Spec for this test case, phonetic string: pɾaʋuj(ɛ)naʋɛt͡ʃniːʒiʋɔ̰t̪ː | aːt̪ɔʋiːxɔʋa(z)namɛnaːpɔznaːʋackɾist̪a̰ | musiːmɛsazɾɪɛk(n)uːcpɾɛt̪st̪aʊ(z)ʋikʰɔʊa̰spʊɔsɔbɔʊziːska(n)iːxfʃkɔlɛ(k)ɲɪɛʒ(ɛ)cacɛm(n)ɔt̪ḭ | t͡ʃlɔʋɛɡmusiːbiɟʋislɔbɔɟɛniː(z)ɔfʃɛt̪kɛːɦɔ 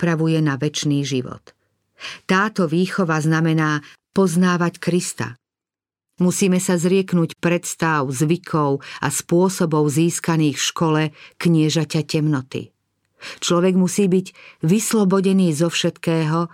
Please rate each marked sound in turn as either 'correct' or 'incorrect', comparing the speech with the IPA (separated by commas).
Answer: correct, correct, correct, correct, correct, correct, incorrect, correct, correct